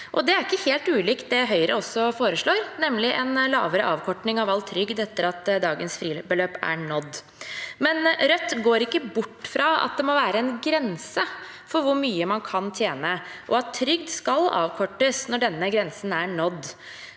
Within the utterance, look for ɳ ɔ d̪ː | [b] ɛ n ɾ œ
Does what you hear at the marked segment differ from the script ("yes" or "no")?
yes